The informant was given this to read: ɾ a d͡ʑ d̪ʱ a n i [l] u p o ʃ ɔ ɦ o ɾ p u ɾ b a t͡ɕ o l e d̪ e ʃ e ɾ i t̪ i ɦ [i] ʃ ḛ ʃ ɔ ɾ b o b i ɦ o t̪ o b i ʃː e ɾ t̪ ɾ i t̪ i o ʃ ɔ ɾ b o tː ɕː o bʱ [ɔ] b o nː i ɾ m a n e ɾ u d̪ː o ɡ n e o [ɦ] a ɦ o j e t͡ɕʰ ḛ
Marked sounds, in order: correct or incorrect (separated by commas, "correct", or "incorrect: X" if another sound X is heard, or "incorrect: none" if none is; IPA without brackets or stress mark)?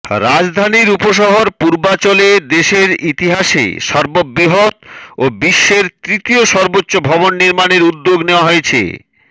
incorrect: ɾ, incorrect: a, correct, incorrect: none